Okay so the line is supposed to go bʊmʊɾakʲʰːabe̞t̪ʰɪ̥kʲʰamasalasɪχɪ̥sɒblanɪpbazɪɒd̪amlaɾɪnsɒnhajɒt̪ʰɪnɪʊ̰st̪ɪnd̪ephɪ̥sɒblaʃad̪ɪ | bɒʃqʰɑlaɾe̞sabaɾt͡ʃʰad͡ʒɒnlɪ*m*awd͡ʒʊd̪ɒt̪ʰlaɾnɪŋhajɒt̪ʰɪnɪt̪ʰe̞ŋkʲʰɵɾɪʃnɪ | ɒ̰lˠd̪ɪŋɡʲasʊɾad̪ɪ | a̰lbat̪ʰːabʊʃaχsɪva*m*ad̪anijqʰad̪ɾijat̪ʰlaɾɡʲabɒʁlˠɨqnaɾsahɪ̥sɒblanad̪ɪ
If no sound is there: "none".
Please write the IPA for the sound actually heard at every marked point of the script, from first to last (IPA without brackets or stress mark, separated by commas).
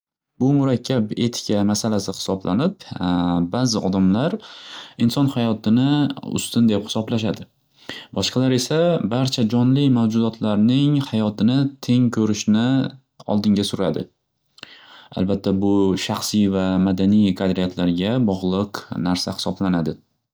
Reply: m, m